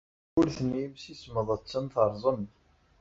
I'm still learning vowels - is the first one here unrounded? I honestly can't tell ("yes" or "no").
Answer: no